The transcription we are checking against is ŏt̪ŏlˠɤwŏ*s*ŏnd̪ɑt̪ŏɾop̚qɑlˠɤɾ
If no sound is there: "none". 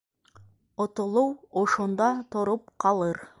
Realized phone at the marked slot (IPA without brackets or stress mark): ʃ